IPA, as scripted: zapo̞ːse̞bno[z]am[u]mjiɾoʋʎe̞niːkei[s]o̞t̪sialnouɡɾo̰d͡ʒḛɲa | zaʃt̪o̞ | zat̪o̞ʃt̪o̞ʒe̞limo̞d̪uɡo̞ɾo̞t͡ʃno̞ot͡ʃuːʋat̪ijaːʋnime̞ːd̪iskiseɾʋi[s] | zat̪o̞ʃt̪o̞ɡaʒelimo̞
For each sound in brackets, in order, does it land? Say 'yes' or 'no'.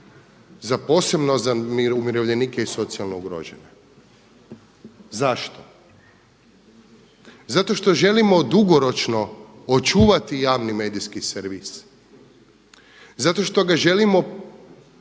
yes, yes, yes, yes

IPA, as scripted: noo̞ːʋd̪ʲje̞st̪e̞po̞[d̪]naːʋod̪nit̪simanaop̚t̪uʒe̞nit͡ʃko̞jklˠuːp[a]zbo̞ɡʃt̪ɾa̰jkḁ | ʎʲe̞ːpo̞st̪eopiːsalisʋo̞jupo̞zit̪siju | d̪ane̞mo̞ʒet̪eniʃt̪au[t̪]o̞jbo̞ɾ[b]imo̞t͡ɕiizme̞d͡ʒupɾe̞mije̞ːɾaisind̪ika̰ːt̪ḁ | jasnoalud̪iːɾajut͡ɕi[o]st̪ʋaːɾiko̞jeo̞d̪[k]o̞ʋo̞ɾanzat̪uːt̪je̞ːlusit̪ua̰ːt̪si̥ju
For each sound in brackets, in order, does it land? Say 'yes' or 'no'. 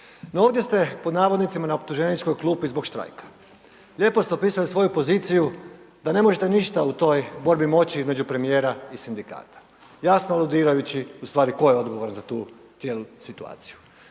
yes, no, yes, yes, no, no

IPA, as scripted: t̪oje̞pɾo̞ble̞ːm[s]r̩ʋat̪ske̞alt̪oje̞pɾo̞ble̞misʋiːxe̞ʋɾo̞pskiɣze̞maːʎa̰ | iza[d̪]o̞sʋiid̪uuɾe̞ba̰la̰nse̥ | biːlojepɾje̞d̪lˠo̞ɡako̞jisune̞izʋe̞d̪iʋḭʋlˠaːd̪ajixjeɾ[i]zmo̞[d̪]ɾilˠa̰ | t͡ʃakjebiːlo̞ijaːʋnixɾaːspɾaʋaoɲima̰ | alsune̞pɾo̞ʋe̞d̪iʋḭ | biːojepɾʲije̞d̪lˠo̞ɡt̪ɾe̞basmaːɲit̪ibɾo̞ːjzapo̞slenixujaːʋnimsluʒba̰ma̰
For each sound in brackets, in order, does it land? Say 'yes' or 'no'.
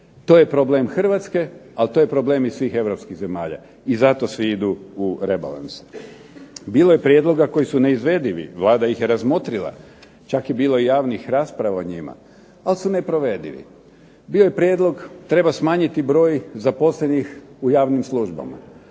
no, no, no, no

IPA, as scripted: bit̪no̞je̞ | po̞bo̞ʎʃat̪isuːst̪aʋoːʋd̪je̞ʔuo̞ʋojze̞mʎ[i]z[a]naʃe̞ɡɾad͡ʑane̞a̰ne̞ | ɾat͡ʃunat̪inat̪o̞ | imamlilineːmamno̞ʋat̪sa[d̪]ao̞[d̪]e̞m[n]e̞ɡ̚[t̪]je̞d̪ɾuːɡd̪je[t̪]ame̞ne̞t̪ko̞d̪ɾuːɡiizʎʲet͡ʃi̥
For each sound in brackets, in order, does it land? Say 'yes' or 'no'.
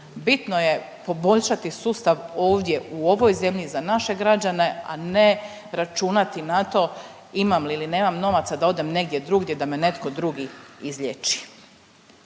yes, yes, yes, yes, yes, no, no

